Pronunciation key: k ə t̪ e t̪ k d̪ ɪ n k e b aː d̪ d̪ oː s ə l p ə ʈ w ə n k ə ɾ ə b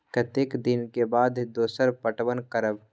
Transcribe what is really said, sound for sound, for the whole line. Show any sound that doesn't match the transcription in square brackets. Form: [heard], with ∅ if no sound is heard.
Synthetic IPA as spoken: k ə t̪ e [∅] k d̪ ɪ n k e b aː d̪ d̪ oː s ə [ɾ] p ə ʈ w ə n k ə ɾ ə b